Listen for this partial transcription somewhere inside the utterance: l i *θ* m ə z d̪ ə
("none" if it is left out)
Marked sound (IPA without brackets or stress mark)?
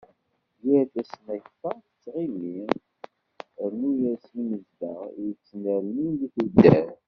none